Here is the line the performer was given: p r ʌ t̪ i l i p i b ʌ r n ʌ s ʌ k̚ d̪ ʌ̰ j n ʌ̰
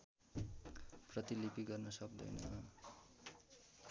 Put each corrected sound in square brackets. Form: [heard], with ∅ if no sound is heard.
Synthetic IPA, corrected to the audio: p r ʌ t̪ i l i p i [ɡ] ʌ r n ʌ s ʌ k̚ d̪ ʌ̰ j n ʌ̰